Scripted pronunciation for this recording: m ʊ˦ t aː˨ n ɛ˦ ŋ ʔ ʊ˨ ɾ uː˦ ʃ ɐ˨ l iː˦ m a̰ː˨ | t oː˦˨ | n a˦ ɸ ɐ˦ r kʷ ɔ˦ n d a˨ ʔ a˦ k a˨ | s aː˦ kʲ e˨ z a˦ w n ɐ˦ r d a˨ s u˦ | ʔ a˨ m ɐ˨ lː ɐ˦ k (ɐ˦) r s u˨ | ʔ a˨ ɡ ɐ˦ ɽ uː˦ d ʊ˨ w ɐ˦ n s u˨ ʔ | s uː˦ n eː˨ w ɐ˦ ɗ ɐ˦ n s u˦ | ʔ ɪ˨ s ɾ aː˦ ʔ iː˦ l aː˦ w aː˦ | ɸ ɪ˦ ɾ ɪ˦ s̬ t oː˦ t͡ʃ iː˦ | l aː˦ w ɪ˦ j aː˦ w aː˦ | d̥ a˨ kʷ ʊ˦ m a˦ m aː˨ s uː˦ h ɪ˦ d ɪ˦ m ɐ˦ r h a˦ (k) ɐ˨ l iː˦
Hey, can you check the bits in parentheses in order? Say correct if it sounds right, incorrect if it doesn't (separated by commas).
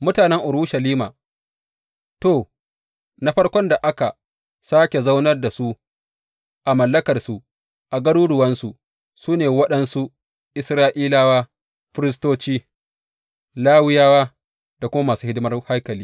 incorrect, correct